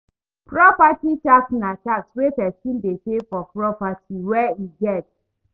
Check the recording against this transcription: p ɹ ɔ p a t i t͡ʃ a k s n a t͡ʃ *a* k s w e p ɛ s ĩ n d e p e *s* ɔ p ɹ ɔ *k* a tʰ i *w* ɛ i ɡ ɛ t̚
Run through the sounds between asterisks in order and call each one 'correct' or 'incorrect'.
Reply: correct, incorrect: f, incorrect: p, correct

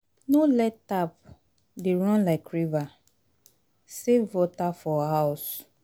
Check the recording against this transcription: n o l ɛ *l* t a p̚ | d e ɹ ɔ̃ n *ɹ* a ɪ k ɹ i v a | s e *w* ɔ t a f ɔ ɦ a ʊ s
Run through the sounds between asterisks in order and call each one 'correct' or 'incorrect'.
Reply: incorrect: none, incorrect: l, incorrect: v

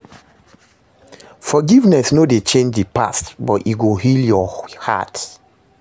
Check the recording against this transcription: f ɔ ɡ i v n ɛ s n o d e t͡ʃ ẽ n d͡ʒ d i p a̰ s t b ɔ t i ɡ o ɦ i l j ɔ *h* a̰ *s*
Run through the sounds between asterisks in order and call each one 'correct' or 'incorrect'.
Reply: correct, incorrect: t

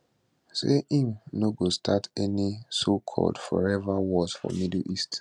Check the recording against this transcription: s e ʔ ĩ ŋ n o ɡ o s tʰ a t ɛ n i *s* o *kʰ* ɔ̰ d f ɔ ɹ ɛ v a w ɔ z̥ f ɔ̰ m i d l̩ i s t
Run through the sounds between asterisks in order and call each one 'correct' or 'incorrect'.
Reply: correct, correct

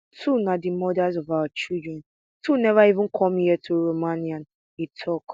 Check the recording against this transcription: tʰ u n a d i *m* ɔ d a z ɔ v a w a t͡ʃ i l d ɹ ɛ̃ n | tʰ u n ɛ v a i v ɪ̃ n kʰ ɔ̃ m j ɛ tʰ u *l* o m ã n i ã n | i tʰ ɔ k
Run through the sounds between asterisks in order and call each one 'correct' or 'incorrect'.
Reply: correct, incorrect: ɹ

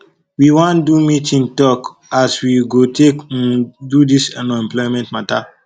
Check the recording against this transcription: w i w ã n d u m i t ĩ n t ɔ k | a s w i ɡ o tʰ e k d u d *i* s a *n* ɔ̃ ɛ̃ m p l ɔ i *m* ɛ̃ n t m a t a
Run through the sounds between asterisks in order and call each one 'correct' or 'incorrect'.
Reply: correct, correct, correct

